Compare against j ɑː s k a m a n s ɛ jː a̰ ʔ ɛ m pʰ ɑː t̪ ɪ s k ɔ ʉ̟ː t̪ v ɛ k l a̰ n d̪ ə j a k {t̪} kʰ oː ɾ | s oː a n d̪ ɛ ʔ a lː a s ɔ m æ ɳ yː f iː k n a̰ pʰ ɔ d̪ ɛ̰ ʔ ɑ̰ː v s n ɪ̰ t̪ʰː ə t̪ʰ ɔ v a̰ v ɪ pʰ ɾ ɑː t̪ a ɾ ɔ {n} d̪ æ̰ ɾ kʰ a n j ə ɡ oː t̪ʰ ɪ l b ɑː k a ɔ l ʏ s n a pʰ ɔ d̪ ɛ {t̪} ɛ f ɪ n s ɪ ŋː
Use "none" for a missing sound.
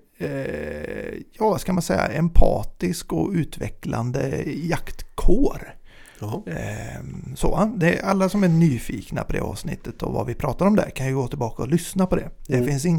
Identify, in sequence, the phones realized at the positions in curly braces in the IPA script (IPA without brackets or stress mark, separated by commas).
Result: t̪, m, d̪